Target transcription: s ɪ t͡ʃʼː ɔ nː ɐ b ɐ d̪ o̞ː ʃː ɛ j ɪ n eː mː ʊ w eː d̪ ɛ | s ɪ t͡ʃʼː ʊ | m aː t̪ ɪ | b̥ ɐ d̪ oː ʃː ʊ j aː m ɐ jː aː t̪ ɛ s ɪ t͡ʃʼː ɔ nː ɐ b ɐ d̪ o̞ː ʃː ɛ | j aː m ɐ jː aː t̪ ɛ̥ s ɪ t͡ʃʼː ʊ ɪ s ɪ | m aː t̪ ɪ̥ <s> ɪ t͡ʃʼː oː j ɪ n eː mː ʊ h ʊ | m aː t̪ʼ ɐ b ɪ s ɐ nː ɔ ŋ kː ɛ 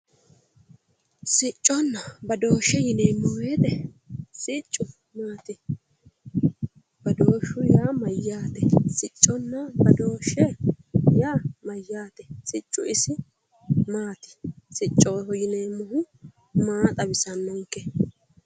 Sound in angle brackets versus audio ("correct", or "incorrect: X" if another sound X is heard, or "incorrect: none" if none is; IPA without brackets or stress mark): correct